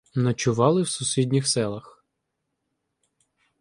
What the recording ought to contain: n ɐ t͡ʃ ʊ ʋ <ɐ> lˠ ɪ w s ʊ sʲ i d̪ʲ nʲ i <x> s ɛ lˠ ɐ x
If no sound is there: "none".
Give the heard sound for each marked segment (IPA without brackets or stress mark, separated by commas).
ɑ, x